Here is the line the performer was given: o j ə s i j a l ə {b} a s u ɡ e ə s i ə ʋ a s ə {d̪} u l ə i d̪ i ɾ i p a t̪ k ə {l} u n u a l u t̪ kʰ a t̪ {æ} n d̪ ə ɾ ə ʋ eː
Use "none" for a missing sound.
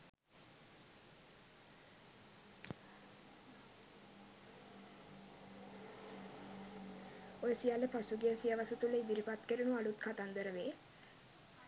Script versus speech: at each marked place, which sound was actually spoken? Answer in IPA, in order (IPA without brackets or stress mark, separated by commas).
p, t̪, ɾ, a